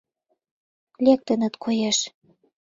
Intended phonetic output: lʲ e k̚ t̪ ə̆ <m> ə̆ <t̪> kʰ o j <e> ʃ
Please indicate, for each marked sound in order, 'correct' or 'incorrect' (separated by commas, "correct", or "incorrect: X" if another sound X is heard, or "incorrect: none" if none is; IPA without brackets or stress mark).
incorrect: n, correct, correct